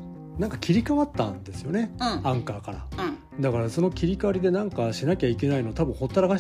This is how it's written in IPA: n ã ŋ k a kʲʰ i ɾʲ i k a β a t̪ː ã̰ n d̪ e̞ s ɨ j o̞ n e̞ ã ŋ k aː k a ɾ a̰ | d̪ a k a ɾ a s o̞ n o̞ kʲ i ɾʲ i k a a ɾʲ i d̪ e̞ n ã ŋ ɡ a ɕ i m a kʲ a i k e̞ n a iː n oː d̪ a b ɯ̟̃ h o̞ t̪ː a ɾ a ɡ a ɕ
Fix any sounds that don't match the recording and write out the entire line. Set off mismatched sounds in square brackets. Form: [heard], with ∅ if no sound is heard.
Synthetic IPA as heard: n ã ŋ k a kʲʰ i ɾʲ i k a β a t̪ː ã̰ n d̪ e̞ s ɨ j o̞ n e̞ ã ŋ k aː k a ɾ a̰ | d̪ a k a ɾ a s o̞ n o̞ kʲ i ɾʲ i k a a ɾʲ i d̪ e̞ n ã ŋ [k] a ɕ i [n] a kʲ a i k e̞ n a [i] n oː [t̪] a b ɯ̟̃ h o̞ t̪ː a ɾ a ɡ a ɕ